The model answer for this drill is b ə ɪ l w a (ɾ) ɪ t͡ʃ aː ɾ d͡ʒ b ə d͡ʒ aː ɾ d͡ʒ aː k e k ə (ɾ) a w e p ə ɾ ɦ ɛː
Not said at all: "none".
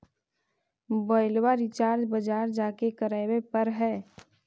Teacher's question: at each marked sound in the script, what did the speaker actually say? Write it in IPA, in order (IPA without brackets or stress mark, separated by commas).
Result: ɾ, ɾ